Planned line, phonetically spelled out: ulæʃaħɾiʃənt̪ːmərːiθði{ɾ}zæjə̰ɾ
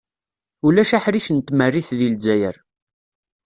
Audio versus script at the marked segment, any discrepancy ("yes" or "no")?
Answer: yes